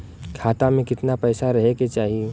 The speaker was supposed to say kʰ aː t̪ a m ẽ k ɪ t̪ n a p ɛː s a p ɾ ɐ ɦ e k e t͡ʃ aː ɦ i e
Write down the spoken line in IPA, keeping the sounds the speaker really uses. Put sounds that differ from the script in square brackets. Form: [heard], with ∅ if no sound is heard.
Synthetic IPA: kʰ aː t̪ a m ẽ k ɪ t̪ n a p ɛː s a [∅] ɾ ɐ ɦ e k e t͡ʃ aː ɦ i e